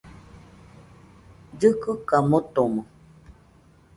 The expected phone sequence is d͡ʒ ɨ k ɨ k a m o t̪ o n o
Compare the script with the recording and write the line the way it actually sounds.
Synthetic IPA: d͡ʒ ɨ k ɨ k a m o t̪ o m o